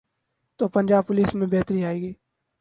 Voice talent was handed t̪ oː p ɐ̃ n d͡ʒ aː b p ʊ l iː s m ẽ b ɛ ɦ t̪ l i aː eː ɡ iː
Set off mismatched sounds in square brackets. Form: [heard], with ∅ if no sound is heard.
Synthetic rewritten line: t̪ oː p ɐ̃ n d͡ʒ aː b p ʊ l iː s m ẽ b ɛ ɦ t̪ [ɾ] i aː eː ɡ iː